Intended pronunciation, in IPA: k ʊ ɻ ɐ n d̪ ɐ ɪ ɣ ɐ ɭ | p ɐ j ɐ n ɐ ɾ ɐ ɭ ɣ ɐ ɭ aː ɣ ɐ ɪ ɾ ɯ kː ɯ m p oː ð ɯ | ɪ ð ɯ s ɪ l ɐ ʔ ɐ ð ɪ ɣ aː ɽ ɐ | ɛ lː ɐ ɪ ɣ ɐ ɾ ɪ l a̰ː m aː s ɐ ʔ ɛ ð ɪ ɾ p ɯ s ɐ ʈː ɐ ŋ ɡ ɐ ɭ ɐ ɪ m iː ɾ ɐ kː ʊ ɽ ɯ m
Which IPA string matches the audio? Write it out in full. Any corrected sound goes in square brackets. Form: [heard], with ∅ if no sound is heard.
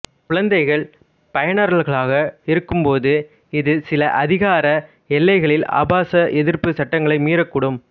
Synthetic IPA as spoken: k ʊ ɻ ɐ n d̪ ɐ ɪ ɣ ɐ ɭ | p ɐ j ɐ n ɐ ɾ ɐ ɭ ɣ ɐ ɭ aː ɣ ɐ ɪ ɾ ɯ kː ɯ m p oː ð ɯ | ɪ ð ɯ s ɪ l ɐ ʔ ɐ ð ɪ ɣ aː [ɾ] ɐ | ɛ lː ɐ ɪ ɣ ɐ [ɭ] ɪ l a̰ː [b] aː s ɐ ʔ ɛ ð ɪ ɾ p ɯ s ɐ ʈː ɐ ŋ ɡ ɐ ɭ ɐ ɪ m iː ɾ ɐ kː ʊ ɽ ɯ m